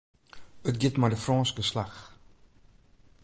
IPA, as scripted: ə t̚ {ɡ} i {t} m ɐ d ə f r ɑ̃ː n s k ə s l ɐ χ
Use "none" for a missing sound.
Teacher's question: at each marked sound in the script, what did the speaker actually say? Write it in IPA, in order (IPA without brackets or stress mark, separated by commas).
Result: ɡ, t